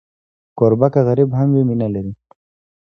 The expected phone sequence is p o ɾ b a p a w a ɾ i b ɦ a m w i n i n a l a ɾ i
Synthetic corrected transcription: k o ɾ b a k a ɣ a ɾ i b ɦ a m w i m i n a l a ɾ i